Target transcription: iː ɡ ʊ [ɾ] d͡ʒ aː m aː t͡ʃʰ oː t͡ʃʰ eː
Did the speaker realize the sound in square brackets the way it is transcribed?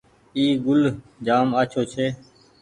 no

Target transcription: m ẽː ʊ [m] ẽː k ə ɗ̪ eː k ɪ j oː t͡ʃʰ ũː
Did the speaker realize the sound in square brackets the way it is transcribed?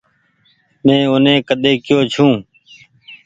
no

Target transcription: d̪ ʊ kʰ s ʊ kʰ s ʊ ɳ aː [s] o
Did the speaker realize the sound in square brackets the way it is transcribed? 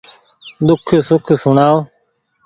no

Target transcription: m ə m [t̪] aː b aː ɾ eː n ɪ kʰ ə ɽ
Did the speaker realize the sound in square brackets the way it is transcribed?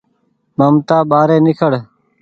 yes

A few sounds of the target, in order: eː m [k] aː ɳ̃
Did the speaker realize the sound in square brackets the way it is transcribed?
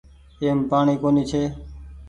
no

